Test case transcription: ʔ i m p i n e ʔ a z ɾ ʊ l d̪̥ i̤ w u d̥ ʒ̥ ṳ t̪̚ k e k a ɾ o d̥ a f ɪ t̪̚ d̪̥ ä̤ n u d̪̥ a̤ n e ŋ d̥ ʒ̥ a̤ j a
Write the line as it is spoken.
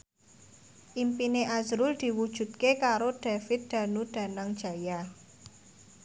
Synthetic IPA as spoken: ʔ i m p i n e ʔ a z ɾ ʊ l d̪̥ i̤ w u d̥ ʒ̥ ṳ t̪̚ k e k a ɾ o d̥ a f ɪ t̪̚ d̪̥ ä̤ n u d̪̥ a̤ n a ŋ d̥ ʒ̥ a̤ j a